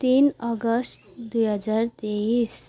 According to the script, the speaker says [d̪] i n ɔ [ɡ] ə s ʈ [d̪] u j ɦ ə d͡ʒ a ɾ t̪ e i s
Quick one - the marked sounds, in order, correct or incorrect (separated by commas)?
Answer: incorrect, correct, correct